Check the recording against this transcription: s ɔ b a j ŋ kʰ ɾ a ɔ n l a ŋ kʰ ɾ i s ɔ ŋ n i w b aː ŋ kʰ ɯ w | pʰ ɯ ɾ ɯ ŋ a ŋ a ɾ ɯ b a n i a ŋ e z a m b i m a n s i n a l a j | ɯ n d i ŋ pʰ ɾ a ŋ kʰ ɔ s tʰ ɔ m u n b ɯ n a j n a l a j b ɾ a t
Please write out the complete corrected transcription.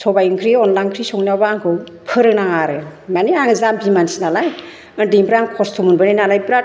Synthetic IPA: s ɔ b a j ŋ kʰ ɾ i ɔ n l a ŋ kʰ ɾ i s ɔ ŋ n a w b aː ŋ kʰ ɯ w | pʰ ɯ ɾ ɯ n a ŋ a ɾ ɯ m a n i a ŋ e z a m b i m a n s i n a l a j | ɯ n d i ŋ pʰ ɾ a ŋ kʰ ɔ s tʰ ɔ m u n b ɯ n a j n a l a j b ɾ a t